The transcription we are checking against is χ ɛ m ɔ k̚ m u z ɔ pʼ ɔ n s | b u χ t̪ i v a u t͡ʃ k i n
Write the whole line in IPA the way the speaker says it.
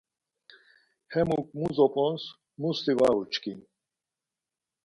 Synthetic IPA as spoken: h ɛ m u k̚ m u z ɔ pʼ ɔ n s | m u s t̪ i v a u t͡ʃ k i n